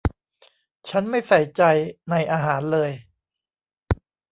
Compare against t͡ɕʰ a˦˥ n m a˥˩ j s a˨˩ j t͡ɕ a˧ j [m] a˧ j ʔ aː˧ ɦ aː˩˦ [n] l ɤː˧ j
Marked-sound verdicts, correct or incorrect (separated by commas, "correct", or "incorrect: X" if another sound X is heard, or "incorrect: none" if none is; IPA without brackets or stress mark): incorrect: n, correct